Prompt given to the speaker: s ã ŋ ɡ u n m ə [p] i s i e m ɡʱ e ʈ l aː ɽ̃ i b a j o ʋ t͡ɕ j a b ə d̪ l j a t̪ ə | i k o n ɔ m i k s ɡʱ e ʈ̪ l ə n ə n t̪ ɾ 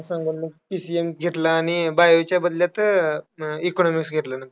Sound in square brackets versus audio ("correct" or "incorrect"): correct